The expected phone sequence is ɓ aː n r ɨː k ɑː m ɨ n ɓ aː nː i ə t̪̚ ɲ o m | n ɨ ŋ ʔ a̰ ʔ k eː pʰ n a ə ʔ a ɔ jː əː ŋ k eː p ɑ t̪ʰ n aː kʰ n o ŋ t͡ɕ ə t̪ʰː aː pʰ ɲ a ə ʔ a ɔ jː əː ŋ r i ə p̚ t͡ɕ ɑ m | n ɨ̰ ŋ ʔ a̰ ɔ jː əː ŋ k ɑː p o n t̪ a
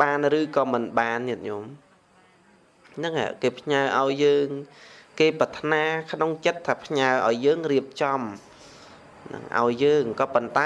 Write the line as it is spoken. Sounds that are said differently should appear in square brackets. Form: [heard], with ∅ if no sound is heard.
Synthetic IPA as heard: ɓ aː n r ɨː k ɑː m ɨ n ɓ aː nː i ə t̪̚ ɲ o m | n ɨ ŋ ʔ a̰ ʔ k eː pʰ [ɲ] a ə ʔ a ɔ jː əː ŋ k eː p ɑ t̪ʰ n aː kʰ n o ŋ t͡ɕ ə t̪ʰː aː pʰ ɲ a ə ʔ a ɔ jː əː ŋ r i ə p̚ t͡ɕ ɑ m | n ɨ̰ ŋ ʔ a̰ ɔ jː əː ŋ k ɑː p o n t̪ a